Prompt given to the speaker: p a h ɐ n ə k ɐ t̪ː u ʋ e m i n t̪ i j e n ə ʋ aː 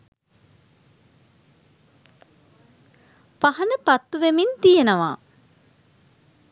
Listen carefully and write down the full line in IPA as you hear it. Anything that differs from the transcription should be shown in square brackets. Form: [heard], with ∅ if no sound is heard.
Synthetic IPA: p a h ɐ n ə [p] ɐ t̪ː u ʋ e m i n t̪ i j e n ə ʋ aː